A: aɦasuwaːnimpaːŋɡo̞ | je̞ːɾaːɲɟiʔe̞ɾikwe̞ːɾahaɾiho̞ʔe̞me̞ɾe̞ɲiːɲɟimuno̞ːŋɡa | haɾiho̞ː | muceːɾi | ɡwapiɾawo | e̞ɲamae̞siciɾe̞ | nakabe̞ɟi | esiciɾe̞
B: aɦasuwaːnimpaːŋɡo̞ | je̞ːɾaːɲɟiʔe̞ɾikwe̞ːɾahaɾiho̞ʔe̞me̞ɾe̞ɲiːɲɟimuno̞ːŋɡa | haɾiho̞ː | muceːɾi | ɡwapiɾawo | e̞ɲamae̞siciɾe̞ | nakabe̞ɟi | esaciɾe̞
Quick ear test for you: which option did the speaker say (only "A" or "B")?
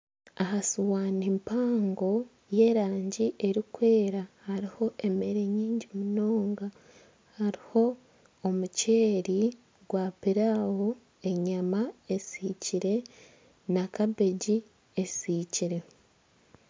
A